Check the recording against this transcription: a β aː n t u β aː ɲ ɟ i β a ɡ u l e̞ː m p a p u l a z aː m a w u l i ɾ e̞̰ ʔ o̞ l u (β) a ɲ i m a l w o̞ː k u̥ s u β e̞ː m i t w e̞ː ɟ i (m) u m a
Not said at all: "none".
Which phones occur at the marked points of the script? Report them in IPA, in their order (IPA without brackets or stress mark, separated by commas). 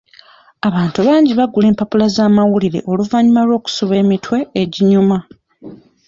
v, ɲ